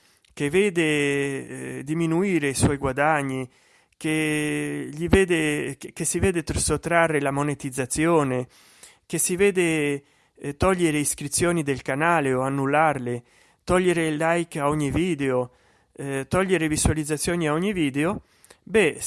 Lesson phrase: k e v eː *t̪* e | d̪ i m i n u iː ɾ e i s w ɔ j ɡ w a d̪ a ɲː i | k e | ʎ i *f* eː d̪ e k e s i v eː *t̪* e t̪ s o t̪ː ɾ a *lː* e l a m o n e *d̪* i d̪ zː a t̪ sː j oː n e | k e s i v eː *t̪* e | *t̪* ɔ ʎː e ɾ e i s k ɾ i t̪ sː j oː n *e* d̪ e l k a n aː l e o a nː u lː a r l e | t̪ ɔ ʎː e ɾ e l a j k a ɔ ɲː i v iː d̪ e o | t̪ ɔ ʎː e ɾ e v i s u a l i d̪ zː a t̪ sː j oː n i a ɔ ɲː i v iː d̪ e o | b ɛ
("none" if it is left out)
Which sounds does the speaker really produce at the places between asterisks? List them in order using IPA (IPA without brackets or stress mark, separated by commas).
d̪, v, d̪, rː, t̪, d̪, t̪, i